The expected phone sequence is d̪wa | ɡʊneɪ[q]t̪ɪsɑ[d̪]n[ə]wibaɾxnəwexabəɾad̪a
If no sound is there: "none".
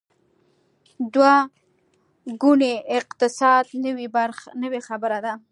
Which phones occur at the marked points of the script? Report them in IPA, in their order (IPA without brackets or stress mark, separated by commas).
q, d̪, ə